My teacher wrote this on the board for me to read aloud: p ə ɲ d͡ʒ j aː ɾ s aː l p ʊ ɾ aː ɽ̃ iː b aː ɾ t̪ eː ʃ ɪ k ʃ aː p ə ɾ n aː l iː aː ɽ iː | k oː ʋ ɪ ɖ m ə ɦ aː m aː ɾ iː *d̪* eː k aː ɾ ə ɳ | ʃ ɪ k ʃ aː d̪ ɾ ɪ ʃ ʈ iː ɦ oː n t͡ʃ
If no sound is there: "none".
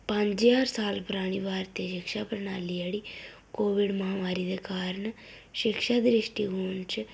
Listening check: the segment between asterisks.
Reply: d̪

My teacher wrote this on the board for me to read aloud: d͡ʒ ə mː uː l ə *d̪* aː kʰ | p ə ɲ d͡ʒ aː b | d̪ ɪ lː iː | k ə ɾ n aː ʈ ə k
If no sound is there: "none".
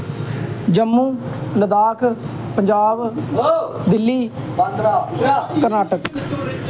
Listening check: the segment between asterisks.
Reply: d̪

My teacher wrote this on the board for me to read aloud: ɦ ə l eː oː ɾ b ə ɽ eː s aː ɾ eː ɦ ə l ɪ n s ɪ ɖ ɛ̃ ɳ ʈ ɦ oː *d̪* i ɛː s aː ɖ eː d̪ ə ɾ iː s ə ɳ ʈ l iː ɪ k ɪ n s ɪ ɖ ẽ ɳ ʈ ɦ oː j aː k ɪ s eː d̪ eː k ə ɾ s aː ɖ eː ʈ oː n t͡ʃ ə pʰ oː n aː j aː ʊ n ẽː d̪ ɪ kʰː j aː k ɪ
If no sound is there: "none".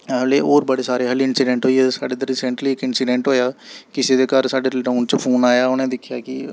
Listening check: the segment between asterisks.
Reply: none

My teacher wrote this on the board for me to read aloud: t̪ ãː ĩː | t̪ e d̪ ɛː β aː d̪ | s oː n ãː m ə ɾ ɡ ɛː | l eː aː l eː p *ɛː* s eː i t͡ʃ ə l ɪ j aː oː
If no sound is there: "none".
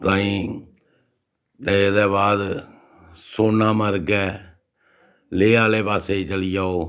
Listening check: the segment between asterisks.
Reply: aː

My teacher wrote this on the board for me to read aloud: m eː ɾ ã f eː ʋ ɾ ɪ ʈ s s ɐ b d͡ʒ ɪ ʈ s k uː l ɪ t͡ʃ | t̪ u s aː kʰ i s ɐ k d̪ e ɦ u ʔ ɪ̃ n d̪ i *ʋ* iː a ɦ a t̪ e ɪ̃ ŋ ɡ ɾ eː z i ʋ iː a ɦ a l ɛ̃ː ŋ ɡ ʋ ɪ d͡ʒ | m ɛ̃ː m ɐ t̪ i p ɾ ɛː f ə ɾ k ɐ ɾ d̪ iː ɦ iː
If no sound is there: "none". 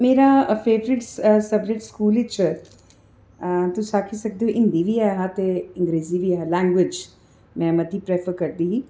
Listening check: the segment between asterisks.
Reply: ʋ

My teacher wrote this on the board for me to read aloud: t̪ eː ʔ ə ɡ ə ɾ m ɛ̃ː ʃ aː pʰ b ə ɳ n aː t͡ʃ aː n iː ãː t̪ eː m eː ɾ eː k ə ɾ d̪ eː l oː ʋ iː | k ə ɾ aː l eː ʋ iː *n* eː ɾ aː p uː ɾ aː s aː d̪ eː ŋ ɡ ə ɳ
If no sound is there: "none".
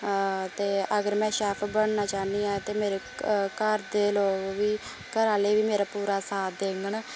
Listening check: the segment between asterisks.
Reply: m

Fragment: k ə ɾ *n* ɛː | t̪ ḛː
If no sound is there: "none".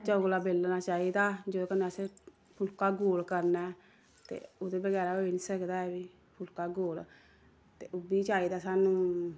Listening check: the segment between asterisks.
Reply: n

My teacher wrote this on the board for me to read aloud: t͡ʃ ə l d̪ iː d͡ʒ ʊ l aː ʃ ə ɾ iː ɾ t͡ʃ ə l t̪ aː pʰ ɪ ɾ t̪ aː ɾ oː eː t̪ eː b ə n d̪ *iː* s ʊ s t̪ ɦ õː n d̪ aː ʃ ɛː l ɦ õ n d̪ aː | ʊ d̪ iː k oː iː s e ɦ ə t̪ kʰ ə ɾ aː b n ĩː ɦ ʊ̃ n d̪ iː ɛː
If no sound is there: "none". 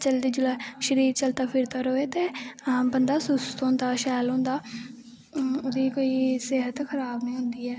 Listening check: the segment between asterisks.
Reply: aː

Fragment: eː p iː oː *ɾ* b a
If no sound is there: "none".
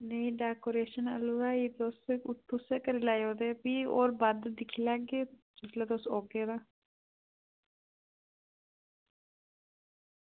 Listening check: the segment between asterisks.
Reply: ɾ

